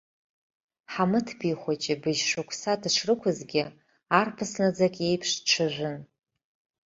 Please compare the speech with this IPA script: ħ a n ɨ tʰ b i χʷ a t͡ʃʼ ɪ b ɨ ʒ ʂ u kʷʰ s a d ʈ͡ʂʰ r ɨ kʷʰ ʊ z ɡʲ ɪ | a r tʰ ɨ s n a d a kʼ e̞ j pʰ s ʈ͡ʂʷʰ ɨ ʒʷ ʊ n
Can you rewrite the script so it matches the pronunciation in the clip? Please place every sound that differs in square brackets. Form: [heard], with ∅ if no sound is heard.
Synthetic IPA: ħ a [m] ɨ tʰ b i χʷ a t͡ʃʼ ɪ b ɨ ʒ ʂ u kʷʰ s a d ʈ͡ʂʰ r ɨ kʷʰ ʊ z ɡʲ ɪ | a r [pʰ] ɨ s n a [d͡z] a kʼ e̞ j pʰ [ʂ] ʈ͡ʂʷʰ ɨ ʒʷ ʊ n